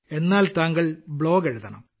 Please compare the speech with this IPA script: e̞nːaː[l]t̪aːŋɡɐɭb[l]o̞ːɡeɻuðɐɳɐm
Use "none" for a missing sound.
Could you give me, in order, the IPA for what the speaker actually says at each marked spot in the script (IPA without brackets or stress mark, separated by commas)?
l, ɭ